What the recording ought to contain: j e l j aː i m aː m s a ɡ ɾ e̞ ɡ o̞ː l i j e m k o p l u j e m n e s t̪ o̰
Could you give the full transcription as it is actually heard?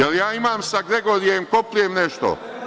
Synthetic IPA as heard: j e l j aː i m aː m s a ɡ ɾ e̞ ɡ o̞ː ɾ i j e m k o p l u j e m n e ʃ t̪ o̰